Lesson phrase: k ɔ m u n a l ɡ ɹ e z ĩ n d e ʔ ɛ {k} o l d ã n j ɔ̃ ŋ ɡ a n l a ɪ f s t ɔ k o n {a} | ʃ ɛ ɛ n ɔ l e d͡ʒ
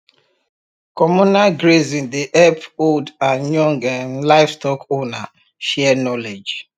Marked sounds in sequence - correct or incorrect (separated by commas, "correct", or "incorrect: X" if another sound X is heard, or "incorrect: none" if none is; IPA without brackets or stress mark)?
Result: incorrect: p, correct